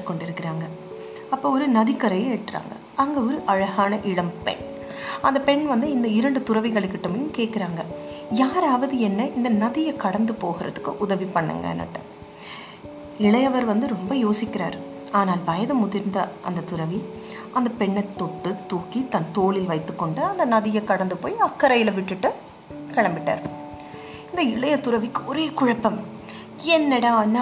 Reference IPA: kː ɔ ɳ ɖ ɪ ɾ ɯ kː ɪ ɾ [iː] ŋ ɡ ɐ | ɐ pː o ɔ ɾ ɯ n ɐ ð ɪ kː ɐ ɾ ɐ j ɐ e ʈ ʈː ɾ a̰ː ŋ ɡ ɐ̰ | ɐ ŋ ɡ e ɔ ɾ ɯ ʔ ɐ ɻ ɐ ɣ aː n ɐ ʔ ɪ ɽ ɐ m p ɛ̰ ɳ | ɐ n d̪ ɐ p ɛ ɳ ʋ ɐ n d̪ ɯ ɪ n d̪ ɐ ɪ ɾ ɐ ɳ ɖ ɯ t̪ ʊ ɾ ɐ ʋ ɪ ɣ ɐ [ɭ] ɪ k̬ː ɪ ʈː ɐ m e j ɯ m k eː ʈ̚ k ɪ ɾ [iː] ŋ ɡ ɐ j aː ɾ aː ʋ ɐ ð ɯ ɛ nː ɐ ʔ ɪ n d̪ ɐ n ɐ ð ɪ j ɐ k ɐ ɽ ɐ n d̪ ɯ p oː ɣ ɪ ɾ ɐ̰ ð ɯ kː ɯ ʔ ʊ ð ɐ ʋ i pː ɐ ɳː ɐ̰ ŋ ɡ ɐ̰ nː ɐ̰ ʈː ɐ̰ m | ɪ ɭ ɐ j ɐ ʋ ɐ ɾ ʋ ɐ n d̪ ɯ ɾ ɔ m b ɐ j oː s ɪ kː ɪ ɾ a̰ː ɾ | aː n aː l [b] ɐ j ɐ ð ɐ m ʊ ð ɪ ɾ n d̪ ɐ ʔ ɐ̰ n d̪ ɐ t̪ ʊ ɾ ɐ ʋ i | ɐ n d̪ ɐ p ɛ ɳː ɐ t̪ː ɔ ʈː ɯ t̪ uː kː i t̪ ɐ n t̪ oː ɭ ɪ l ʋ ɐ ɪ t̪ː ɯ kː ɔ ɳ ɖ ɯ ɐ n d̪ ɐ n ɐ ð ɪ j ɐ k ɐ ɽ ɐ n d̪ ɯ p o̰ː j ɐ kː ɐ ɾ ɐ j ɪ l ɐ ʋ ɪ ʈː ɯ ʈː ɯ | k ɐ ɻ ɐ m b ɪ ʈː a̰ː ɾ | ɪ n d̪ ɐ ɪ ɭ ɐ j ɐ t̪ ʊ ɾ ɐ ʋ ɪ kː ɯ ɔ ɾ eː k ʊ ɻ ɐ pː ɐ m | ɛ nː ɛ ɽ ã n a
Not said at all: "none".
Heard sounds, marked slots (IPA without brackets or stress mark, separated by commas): aː, ɭ, aː, b